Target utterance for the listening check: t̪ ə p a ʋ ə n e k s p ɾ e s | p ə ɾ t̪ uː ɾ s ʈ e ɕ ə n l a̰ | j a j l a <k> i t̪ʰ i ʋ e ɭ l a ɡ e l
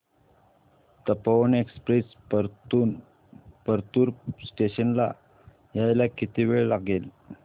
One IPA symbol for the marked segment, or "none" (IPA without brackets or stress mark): k